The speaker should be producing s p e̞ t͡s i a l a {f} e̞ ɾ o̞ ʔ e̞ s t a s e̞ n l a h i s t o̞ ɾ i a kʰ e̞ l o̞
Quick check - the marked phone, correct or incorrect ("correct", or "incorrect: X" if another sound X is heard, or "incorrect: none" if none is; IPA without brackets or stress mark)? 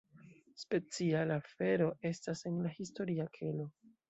correct